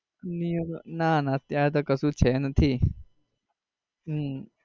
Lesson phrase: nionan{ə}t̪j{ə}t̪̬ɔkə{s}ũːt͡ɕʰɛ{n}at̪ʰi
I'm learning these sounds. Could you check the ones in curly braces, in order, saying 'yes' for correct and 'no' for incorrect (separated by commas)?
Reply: no, no, yes, yes